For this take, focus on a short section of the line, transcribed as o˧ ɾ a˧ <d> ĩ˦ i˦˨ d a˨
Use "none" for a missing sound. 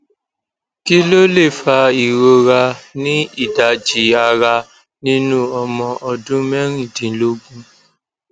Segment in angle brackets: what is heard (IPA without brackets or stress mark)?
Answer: n